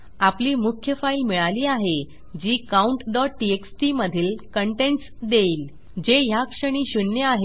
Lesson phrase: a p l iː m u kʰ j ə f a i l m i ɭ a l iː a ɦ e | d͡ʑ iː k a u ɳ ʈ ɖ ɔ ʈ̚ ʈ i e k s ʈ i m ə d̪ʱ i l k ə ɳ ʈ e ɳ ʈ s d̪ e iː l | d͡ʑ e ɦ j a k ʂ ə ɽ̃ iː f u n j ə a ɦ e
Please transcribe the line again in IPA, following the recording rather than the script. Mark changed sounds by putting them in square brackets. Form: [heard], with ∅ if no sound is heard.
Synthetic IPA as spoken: a p l iː m u kʰ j ə f a i l m i ɭ a l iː a ɦ e | d͡ʑ iː k a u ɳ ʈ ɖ ɔ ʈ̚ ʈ i e k s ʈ i m ə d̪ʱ [iː] l k ə ɳ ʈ e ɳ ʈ s d̪ e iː l | d͡ʑ e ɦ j a k ʂ ə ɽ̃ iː [ɕ] u n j ə a ɦ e